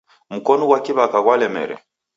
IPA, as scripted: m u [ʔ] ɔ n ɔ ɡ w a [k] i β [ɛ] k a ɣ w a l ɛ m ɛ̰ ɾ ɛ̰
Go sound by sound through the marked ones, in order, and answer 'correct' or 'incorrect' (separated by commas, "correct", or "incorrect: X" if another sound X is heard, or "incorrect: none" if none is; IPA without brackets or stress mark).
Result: incorrect: k, correct, incorrect: a